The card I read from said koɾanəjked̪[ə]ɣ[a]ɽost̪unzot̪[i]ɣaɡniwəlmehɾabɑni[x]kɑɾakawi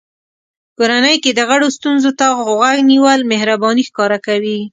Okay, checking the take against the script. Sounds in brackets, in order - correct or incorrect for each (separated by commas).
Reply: correct, correct, incorrect, correct